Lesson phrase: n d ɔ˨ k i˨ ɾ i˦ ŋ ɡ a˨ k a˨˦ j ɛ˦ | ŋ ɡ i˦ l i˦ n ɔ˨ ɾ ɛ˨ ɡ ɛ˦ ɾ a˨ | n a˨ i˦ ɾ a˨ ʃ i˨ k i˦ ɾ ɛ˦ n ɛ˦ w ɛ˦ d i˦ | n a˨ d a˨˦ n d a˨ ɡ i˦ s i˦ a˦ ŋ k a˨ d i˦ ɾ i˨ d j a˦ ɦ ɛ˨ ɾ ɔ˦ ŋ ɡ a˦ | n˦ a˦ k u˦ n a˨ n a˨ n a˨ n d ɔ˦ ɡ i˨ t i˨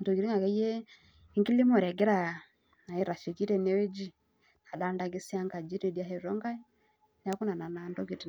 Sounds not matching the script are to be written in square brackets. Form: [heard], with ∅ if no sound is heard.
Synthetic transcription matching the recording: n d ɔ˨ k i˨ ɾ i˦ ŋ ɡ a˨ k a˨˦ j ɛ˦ | ŋ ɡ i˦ l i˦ [m] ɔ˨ ɾ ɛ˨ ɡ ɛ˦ ɾ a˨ | n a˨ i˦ ɾ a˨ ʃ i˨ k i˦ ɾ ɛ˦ n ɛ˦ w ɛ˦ [d͡ʒ] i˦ | n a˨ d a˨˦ n d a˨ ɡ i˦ s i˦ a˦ ŋ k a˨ [d͡ʒ] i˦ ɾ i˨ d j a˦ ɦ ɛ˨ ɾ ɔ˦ ŋ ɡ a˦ | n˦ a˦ k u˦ n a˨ n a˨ n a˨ n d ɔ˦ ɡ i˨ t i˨

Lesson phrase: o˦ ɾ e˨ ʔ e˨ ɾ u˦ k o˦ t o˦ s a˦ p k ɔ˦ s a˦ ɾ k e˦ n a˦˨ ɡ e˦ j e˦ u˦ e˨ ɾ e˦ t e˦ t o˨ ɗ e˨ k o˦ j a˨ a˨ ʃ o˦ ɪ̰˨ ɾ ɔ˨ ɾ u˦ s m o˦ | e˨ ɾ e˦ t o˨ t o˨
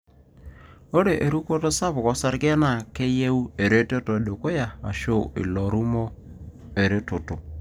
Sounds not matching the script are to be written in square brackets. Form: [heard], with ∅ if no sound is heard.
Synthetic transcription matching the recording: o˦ ɾ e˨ ʔ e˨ ɾ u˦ k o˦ t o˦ s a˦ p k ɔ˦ s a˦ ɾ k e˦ n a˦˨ [k] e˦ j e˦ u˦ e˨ ɾ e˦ t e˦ t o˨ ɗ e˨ k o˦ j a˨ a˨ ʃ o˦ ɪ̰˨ [l] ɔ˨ ɾ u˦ [∅] m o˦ | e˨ ɾ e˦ t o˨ t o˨

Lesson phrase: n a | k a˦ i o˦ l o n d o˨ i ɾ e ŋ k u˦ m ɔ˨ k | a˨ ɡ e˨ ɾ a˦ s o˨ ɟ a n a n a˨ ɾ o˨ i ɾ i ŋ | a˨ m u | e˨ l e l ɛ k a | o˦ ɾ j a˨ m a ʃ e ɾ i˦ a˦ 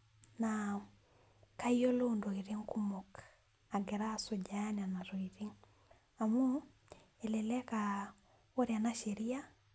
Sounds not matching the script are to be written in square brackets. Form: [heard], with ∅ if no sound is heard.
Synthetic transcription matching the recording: n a | k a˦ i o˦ l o n d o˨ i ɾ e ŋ k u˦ m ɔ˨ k | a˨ ɡ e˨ ɾ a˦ s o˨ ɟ a n a n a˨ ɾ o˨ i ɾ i ŋ | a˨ m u | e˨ l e l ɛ k a | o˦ ɾ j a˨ [n] a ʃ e ɾ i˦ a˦

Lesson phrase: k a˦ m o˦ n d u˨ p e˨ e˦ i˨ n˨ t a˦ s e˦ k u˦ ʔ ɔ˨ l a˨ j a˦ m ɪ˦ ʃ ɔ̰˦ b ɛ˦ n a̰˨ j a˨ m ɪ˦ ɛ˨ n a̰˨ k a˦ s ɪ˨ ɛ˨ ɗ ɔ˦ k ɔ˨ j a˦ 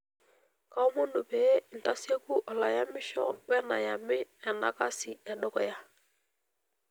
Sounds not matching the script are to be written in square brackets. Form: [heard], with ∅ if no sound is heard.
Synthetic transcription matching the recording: k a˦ m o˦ n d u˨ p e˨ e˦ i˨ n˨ t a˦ s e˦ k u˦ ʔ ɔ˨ l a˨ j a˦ m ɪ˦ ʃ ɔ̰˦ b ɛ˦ n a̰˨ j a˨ m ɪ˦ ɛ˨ n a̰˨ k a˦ s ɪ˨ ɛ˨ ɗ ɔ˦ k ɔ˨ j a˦

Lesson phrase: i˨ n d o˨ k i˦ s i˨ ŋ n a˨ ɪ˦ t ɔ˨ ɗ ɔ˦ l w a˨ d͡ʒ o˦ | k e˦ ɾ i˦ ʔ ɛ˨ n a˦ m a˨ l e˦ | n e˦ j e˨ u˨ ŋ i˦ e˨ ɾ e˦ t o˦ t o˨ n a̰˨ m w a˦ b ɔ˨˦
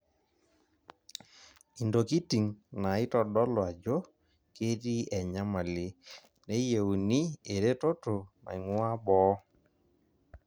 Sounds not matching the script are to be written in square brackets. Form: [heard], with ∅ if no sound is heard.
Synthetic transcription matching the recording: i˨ n d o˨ k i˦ [t] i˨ ŋ n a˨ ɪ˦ t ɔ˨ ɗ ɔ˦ l w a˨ d͡ʒ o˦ | k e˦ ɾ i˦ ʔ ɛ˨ [ɲ] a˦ m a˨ l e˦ | n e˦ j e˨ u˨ [n] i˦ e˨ ɾ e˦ t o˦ t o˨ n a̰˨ [ŋ] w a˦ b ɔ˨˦

